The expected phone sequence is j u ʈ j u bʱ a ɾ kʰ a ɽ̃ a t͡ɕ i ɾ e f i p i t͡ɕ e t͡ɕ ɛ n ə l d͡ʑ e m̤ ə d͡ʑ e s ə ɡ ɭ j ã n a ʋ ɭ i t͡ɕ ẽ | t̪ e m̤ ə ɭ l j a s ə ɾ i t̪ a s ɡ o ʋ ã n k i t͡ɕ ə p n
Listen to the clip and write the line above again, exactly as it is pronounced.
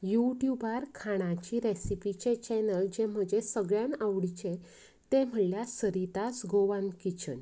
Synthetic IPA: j u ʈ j u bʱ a ɾ kʰ a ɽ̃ a t͡ɕ i ɾ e s i p i t͡ɕ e t͡ɕ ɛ n ə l d͡ʑ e m̤ ə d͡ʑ e s ə ɡ ɭ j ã n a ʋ ɽ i t͡ɕ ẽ | t̪ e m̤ ə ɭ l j a s ə ɾ i t̪ a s ɡ o ʋ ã n k i t͡ɕ ə n